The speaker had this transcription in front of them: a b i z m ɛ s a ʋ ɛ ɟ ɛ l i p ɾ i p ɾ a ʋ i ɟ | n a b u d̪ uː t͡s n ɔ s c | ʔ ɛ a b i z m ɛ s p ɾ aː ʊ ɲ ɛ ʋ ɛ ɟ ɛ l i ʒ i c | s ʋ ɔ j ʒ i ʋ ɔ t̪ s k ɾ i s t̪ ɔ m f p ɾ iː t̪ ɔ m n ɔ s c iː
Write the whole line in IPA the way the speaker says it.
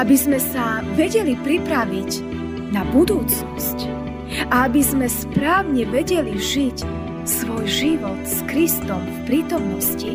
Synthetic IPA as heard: a b i z m ɛ s a ʋ ɛ ɟ ɛ l i p ɾ i p ɾ a ʋ i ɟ | n a b u d̪ uː t͡s n ɔ s c | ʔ a a b i z m ɛ s p ɾ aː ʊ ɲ ɛ ʋ ɛ ɟ ɛ l i ʒ i c | s ʋ ɔ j ʒ i ʋ ɔ t̪ s k ɾ i s t̪ ɔ m f p ɾ iː t̪ ɔ m n ɔ s c i